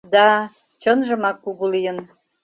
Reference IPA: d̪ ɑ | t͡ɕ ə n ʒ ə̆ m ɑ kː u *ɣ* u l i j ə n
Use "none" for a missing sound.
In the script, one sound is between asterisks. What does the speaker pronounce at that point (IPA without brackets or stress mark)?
ɣ